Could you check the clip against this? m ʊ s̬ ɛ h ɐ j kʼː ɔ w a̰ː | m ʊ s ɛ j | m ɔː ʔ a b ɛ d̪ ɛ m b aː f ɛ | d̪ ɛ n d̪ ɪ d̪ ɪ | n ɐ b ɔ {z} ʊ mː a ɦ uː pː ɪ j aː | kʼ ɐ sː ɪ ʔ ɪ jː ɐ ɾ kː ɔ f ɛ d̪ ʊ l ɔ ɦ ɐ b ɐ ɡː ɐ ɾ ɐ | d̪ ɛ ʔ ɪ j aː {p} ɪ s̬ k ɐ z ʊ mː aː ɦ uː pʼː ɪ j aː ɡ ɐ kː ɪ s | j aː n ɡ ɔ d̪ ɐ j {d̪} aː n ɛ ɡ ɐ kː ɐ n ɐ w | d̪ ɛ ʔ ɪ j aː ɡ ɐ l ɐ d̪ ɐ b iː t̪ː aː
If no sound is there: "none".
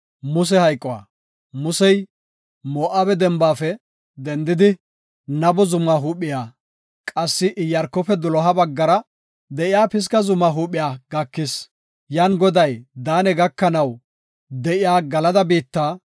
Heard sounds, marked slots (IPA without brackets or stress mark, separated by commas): z, p, d̪